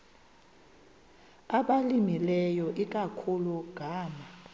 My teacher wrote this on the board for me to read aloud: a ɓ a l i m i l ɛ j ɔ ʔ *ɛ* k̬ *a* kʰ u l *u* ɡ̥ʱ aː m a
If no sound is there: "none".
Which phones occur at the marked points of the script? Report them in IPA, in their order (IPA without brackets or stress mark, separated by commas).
i, a, u